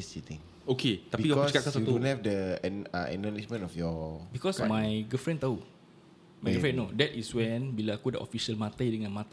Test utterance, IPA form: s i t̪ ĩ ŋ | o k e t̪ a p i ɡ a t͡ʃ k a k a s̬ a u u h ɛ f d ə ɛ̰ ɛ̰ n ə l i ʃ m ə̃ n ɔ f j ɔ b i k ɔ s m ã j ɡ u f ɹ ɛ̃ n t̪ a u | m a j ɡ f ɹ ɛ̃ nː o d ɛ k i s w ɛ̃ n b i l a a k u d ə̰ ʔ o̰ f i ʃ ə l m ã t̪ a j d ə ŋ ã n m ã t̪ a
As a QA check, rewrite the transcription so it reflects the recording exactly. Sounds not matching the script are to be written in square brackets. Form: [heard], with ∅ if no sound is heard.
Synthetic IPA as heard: s i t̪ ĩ ŋ | o k e t̪ a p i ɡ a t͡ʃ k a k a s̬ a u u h ɛ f d ə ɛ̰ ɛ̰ n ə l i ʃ m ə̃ n ɔ f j ɔ b i k ɔ s m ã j ɡ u f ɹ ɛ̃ n t̪ a u | m a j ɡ f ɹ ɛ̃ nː o d ɛ [t] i s w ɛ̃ n b i l a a k u d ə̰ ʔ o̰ f i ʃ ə l m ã t̪ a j d ə ŋ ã n m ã t̪ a